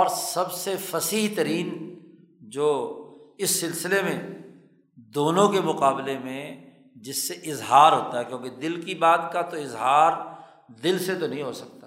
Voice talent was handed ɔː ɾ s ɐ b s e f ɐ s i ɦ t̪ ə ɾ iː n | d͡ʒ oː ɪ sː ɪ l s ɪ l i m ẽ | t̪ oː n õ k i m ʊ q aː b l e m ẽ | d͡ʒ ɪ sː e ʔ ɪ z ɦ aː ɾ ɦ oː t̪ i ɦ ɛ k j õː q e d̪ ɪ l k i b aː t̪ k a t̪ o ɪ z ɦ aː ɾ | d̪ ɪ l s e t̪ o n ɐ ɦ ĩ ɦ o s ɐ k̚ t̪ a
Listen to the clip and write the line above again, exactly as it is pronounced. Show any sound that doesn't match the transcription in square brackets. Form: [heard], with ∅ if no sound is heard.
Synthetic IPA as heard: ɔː ɾ s ɐ b s e f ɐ s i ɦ t̪ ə ɾ iː n | d͡ʒ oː ɪ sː ɪ l s ɪ l [e] m ẽ | [d̪] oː n õ k [e] m ʊ q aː b l e m ẽ | d͡ʒ ɪ sː e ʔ ɪ z ɦ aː ɾ ɦ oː t̪ [a] ɦ ɛ k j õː [k] e d̪ ɪ l k i b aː t̪ k a t̪ o ɪ z ɦ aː ɾ | d̪ ɪ l s e t̪ o n ɐ ɦ ĩ ɦ o s ɐ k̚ t̪ a